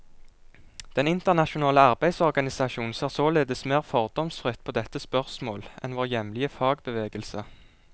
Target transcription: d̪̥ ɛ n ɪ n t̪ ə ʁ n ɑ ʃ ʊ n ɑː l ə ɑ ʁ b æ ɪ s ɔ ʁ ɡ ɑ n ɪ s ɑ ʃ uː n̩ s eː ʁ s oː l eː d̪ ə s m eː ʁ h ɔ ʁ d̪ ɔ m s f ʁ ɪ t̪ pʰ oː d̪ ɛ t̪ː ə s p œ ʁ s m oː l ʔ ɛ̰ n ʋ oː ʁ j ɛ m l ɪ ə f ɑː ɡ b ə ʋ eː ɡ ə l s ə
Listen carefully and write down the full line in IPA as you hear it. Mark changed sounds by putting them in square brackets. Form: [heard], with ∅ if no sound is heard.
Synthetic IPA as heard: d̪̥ ɛ n ɪ n t̪ ə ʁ n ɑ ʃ ʊ n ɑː l ə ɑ ʁ b æ ɪ s ɔ ʁ ɡ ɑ n ɪ s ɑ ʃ uː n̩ s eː ʁ s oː l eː d̪ ə s m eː ʁ [f] ɔ ʁ d̪ ɔ m s f ʁ ɪ t̪ pʰ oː d̪ ɛ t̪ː ə s p œ ʁ s m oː l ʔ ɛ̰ n ʋ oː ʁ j ɛ m l ɪ ə f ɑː ɡ b ə ʋ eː ɡ ə l s ə